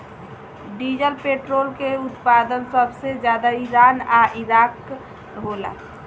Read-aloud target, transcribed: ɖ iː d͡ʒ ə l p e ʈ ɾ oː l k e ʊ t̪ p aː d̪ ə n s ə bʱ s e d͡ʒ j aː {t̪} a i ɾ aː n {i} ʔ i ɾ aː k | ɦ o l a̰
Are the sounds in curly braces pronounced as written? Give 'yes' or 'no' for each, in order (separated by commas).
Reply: no, no